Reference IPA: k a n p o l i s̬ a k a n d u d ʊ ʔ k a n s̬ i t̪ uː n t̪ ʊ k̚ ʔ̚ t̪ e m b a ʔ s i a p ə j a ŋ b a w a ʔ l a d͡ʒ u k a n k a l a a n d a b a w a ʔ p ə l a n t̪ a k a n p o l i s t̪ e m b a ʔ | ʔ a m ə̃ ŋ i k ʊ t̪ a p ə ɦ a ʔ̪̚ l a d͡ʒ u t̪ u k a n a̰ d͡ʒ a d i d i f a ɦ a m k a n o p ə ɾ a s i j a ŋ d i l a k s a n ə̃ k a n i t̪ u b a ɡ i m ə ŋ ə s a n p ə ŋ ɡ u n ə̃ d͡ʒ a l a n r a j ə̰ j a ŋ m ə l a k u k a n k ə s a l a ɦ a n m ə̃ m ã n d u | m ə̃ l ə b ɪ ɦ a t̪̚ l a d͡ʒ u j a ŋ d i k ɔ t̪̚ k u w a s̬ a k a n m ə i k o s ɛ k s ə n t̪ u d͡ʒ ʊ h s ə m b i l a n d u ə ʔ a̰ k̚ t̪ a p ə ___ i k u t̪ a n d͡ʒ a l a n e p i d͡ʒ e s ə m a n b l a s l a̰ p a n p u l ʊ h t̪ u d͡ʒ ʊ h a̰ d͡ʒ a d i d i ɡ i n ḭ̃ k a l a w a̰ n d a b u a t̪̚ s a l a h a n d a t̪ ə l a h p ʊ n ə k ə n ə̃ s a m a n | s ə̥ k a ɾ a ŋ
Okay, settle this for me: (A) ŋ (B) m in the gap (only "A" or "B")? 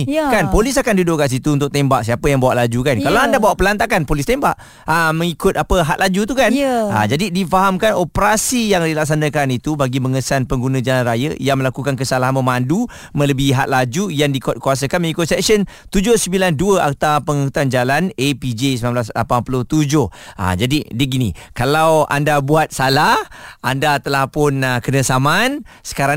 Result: A